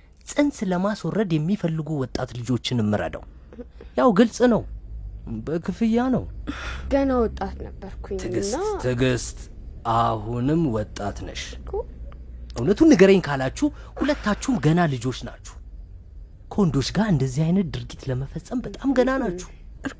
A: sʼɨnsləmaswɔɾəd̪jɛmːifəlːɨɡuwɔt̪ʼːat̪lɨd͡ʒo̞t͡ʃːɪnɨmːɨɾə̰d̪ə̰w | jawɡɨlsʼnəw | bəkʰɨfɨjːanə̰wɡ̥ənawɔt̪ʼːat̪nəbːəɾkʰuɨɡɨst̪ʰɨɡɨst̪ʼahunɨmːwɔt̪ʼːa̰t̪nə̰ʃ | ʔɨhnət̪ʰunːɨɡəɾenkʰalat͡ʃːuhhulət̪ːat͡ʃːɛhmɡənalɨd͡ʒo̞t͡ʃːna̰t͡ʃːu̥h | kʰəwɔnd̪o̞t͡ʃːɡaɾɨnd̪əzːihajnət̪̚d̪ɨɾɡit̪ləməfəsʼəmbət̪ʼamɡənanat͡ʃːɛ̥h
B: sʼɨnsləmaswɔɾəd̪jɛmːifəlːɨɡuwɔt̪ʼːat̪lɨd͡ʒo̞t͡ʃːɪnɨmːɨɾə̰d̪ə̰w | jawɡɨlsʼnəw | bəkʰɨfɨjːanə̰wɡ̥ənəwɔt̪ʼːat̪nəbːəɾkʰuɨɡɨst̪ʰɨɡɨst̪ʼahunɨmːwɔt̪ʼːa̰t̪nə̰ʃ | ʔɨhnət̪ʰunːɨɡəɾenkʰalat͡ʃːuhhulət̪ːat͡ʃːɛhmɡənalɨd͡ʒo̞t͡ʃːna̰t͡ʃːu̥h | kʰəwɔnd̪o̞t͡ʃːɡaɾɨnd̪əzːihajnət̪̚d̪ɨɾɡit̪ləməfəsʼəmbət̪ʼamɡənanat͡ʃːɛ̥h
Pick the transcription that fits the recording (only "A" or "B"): A